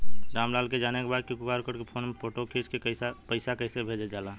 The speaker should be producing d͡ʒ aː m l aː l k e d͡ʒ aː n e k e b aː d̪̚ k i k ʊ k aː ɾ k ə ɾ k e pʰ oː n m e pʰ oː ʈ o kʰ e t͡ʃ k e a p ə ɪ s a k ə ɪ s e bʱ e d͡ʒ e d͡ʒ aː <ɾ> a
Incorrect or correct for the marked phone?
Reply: incorrect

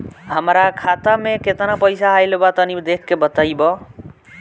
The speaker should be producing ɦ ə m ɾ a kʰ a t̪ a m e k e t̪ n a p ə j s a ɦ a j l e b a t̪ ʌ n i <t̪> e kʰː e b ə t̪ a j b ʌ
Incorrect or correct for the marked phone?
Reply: incorrect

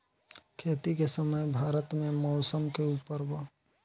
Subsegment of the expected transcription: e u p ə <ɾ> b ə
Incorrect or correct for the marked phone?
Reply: correct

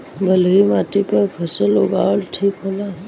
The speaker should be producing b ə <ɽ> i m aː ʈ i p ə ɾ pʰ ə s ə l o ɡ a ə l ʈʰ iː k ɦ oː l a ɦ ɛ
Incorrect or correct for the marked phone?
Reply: incorrect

